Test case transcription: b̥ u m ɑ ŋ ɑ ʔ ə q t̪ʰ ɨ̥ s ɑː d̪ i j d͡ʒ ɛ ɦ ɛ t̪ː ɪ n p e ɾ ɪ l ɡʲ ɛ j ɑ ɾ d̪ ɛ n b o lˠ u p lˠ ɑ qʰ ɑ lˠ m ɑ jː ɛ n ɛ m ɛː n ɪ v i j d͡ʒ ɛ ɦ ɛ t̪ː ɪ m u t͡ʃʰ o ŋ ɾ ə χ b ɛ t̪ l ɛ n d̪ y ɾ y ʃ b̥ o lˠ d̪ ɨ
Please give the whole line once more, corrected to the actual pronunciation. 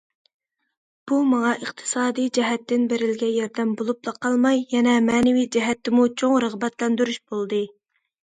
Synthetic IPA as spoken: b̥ u m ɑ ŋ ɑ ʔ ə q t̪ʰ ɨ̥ s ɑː d̪ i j d͡ʒ ɛ ɦ ɛ t̪ː ɪ n b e ɾ ɪ l ɡʲ ɛ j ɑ ɾ d̪ ɛ m b o lˠ u p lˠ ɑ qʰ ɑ lˠ m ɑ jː ɛ n ɛ m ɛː n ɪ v i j d͡ʒ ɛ ɦ ɛ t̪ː ɪ m u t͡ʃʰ o ŋ ɾ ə ʁ b ɛ t̪ l ɛ n d̪ y ɾ y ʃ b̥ o lˠ d̪ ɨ